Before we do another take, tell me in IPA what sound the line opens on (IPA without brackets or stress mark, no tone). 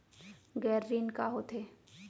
ɡ